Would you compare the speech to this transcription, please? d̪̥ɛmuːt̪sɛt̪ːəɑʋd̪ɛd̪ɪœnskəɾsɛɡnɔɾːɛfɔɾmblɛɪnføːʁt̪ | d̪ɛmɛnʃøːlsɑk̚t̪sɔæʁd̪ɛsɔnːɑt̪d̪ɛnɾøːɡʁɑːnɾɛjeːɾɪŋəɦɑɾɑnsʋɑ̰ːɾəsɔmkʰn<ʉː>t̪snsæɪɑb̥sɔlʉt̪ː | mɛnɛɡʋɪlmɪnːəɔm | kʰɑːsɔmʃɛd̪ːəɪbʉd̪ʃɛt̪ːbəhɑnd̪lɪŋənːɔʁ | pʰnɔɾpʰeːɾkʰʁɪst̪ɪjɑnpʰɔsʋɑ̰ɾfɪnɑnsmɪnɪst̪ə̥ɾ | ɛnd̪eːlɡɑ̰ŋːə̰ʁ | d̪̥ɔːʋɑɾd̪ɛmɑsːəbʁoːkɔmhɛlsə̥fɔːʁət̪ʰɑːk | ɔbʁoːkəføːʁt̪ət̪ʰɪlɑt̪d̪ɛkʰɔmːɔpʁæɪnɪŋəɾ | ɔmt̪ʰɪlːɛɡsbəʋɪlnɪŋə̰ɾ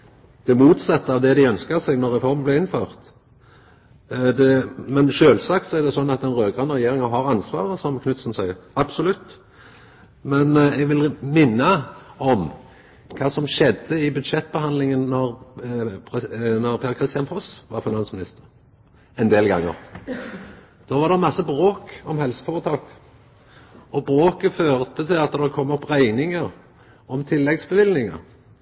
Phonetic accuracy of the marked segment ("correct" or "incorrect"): incorrect